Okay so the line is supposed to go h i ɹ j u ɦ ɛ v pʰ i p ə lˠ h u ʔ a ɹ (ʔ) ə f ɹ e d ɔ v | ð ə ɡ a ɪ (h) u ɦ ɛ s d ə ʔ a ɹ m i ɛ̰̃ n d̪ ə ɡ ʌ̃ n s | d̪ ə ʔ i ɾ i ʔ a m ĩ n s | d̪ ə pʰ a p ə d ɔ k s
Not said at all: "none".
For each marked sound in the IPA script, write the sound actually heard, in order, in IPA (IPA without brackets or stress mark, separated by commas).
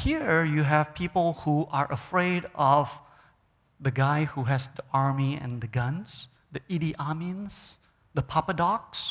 ʔ, h